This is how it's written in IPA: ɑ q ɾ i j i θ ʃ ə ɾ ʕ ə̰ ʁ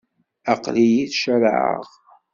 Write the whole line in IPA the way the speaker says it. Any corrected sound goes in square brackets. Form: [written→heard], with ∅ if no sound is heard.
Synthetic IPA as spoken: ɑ q [ɾ→l] i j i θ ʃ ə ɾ ʕ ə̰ ʁ